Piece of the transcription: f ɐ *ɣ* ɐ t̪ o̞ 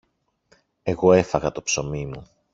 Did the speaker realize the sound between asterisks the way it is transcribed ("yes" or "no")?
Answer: yes